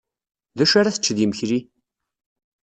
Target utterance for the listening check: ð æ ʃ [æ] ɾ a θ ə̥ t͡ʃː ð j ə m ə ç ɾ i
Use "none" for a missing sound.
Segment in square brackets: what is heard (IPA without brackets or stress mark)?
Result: a